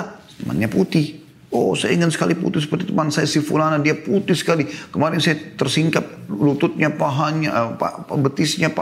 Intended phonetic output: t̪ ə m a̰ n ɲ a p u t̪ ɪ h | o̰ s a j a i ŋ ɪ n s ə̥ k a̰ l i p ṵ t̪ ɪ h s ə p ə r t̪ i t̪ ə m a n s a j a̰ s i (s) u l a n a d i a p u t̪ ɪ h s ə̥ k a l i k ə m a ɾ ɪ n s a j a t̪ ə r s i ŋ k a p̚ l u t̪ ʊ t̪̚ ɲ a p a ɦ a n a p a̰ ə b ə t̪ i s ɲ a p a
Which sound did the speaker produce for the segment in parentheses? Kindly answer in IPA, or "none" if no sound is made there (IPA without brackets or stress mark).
f